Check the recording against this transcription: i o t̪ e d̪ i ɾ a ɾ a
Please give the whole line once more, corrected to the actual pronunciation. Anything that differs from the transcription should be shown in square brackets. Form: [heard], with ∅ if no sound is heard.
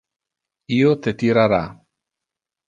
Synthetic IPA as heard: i o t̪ e [t̪] i ɾ a ɾ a